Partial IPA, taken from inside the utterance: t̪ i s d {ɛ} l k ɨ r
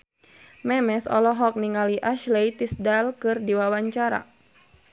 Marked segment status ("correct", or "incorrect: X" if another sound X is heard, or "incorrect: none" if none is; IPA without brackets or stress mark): incorrect: a